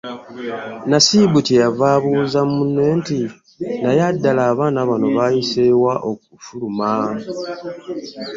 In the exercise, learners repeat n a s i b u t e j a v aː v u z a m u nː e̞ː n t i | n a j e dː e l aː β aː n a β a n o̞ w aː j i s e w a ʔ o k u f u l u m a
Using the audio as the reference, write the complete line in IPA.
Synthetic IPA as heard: n a s i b u t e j a v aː β u z a m u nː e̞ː n t i | n a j a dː a l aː β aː n a β a n o̞ β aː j i s e w a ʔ o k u f u l u m a